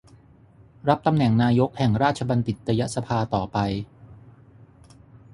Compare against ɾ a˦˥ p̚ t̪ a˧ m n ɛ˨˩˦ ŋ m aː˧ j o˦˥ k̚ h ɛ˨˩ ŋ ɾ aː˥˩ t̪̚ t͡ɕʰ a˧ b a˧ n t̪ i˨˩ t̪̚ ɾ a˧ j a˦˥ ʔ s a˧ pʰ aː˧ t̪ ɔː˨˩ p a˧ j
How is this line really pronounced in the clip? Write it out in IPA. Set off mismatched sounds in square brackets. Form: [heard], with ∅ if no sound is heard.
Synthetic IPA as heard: ɾ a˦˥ p̚ t̪ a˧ m n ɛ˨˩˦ ŋ [n] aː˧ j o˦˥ k̚ h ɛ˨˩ ŋ ɾ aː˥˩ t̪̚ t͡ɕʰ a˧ b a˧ n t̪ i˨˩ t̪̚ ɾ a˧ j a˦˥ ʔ s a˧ pʰ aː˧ t̪ ɔː˨˩ p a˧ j

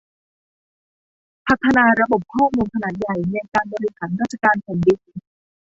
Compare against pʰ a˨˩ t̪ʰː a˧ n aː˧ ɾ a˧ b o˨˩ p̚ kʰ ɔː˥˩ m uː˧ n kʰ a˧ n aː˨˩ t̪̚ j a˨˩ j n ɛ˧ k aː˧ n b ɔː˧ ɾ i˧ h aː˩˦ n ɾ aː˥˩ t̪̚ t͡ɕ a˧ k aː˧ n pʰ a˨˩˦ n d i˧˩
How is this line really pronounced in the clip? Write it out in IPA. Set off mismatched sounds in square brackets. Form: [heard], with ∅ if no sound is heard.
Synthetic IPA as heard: pʰ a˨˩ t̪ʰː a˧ n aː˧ ɾ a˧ b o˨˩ p̚ kʰ ɔː˥˩ m uː˧ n kʰ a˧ n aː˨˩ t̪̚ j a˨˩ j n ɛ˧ k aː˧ n b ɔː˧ ɾ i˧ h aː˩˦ n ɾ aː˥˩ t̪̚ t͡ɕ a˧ k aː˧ n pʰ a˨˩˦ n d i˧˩

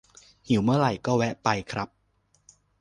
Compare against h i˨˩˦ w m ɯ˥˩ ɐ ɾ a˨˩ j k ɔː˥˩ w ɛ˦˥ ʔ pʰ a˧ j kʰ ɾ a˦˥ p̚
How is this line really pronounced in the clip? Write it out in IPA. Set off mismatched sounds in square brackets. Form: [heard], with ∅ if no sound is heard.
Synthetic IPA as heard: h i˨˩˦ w m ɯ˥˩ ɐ ɾ a˨˩ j k ɔː˥˩ w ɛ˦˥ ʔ [p] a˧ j kʰ ɾ a˦˥ p̚

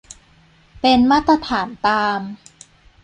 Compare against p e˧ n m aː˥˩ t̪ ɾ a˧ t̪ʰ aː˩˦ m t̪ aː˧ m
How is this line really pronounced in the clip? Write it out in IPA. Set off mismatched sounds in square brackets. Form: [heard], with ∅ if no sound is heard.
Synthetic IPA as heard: p e˧ n m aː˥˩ t̪ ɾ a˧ t̪ʰ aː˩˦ [n] t̪ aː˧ m

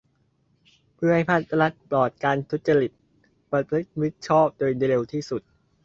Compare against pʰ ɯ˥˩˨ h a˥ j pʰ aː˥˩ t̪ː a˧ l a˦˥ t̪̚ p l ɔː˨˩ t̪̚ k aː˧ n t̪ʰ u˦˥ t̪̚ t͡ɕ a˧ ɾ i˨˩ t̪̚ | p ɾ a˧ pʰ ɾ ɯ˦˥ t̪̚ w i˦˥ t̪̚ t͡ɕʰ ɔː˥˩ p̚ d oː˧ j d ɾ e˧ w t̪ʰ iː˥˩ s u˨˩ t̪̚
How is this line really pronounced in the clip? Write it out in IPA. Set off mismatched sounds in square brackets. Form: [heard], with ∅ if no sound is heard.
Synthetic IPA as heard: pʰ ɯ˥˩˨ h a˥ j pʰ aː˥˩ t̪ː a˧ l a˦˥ t̪̚ p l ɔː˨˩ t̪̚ k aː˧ n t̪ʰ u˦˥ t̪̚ t͡ɕ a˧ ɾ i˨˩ t̪̚ | p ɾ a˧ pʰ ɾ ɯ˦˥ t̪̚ w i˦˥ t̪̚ t͡ɕʰ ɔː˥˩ p̚ d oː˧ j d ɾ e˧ w t̪ʰ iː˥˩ s u˨˩ t̪̚

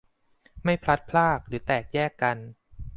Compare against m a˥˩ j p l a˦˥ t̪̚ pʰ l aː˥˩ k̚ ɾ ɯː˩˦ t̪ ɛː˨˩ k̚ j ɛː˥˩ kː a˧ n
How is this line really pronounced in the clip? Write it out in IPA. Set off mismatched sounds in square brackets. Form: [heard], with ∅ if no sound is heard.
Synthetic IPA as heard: m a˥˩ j [pʰ] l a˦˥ t̪̚ pʰ l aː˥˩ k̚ ɾ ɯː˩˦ t̪ ɛː˨˩ k̚ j ɛː˥˩ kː a˧ n

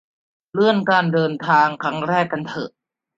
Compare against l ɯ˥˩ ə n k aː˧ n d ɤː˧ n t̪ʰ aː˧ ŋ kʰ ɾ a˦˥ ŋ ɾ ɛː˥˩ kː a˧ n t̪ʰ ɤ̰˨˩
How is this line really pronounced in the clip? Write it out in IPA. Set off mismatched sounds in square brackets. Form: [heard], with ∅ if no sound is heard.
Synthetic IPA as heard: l ɯ˥˩ ə n k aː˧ n d ɤː˧ n t̪ʰ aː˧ ŋ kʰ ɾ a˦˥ ŋ ɾ ɛː˥˩ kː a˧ n t̪ʰ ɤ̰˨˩

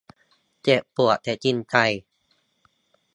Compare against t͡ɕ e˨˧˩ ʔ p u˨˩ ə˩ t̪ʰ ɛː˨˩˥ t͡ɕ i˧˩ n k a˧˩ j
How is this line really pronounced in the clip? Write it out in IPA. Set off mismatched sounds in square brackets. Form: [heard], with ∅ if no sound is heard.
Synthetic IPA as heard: t͡ɕ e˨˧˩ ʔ p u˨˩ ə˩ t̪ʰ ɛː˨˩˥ t͡ɕ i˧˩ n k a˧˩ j

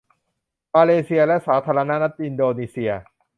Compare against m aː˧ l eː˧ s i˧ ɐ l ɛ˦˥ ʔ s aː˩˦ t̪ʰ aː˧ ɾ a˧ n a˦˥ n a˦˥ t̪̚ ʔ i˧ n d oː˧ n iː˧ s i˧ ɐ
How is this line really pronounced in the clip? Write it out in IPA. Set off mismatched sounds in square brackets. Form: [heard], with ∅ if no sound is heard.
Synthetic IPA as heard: m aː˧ l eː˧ s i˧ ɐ l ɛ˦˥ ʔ s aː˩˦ t̪ʰ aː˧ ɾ a˧ n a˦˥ n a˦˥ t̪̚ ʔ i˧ n d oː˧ n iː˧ s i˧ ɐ

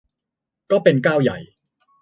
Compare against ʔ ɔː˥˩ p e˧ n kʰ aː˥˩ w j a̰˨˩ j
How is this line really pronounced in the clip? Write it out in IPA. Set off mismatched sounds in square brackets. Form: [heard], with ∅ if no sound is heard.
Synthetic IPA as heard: [k] ɔː˥˩ p e˧ n [k] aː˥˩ w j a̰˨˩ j

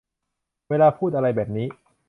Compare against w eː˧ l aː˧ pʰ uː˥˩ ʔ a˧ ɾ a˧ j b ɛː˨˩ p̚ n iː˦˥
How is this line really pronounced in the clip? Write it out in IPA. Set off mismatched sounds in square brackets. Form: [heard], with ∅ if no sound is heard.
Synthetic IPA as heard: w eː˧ l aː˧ pʰ uː˥˩ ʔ a˧ ɾ a˧ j b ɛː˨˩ p̚ n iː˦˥

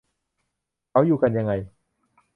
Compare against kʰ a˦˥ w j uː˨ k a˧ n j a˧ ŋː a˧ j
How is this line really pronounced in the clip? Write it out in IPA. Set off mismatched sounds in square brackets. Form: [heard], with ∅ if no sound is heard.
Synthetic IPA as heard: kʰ a˦˥ w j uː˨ k a˧ n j a˧ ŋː a˧ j

